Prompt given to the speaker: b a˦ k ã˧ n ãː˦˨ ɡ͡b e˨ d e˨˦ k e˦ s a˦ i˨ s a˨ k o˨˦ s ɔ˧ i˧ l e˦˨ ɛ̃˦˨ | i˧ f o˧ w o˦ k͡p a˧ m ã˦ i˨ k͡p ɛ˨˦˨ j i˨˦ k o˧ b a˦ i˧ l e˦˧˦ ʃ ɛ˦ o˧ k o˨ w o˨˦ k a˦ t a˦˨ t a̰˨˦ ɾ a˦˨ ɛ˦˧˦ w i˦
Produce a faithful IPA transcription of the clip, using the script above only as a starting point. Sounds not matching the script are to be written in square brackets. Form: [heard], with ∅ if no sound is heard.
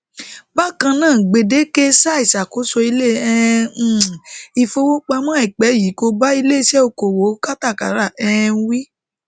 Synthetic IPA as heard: b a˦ k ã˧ n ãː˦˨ ɡ͡b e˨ d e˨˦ k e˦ s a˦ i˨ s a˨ k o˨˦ s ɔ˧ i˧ l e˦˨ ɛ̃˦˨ | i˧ f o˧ w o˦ k͡p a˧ m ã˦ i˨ k͡p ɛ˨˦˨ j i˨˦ k o˧ b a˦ i˧ l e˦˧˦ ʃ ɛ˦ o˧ k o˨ w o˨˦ k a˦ t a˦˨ [k] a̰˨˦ ɾ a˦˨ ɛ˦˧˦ w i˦